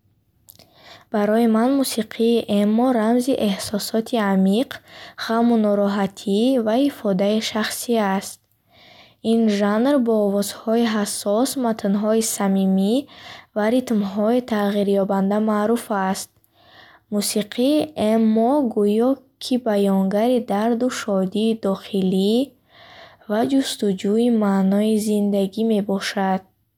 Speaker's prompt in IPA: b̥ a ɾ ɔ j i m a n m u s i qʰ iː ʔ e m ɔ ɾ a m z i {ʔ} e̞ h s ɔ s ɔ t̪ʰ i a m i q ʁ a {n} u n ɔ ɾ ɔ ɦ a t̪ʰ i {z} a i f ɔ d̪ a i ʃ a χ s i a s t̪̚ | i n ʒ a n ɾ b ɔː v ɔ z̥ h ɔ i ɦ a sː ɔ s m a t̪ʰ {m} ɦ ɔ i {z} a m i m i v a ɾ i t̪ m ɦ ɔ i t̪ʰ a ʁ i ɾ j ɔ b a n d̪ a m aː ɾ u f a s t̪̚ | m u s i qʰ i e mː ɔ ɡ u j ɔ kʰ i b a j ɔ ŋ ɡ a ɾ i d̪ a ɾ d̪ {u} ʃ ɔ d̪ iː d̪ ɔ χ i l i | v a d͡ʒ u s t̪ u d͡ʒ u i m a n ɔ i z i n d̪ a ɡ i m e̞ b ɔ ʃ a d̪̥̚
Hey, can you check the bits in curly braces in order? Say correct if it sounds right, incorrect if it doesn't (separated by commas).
correct, incorrect, incorrect, incorrect, incorrect, correct